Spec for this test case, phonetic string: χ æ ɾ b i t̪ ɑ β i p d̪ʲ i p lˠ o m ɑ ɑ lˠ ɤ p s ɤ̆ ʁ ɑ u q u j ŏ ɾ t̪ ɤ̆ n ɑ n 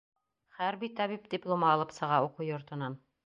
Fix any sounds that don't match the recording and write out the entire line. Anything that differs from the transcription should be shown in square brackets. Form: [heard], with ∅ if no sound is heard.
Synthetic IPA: χ æ ɾ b i t̪ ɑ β i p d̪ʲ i p lˠ o m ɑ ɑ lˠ ɤ p s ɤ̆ ʁ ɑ u q u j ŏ ɾ t̪ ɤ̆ n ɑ n